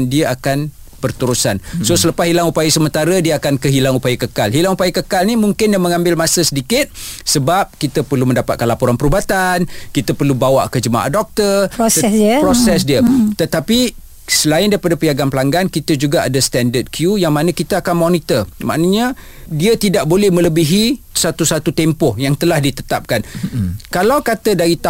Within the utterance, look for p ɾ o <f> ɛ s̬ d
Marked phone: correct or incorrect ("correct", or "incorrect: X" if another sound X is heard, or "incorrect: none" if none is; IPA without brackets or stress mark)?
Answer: incorrect: s